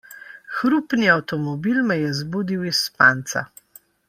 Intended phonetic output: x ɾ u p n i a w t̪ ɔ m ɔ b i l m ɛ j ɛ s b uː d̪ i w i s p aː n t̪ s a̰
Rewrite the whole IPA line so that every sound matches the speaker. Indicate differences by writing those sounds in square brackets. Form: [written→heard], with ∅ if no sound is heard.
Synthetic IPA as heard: x ɾ u p n i a w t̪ ɔ m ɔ b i l m ɛ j ɛ [s→z] b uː d̪ i w i s p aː n t̪ s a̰